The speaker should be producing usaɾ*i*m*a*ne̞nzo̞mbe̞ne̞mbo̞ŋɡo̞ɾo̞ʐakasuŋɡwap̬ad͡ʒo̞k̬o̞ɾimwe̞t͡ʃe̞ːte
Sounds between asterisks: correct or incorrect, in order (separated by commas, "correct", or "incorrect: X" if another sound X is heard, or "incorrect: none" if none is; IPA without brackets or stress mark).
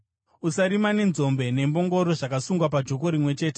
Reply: correct, correct